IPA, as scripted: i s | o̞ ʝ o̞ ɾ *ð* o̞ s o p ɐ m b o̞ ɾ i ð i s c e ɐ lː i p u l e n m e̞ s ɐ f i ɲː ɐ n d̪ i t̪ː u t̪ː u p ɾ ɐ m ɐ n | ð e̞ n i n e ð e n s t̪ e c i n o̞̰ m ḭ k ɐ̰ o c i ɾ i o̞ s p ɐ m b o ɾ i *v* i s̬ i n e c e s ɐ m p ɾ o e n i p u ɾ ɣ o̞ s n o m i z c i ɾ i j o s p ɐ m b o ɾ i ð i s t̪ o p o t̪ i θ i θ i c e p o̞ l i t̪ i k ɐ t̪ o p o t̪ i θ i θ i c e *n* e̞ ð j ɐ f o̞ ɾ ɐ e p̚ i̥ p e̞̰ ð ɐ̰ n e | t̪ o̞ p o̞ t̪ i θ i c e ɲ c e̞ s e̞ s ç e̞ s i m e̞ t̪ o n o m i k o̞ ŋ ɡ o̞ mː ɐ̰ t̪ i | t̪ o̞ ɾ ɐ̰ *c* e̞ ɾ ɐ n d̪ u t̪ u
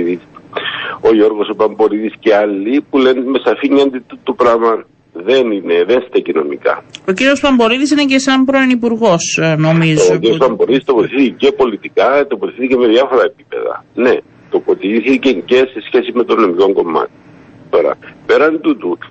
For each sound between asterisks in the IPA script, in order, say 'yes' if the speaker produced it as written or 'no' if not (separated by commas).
no, no, no, no